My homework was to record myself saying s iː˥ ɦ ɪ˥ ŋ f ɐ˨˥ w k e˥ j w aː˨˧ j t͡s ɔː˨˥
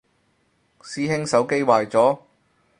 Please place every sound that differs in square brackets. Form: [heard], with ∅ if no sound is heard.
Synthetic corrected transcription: s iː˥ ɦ ɪ˥ ŋ [s] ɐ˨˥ w k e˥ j w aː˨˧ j t͡s ɔː˨˥